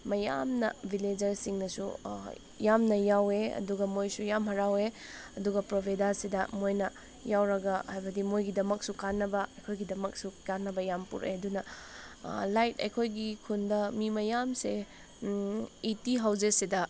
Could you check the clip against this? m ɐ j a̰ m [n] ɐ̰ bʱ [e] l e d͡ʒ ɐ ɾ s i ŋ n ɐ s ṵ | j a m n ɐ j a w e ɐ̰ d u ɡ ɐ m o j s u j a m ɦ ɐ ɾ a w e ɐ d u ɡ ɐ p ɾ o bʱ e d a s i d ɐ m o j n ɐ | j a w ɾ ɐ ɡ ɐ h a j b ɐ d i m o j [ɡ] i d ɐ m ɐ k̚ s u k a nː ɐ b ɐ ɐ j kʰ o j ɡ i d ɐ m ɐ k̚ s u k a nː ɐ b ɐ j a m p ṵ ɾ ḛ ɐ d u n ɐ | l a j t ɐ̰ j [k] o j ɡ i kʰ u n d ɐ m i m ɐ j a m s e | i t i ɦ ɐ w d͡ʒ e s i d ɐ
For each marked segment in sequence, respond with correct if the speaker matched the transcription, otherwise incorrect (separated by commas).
correct, incorrect, correct, incorrect